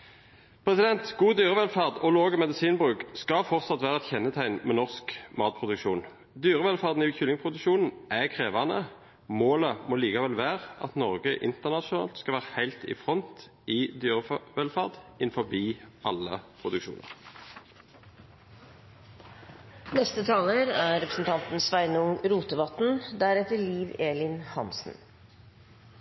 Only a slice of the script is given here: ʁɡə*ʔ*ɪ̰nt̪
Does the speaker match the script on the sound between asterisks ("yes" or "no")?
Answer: yes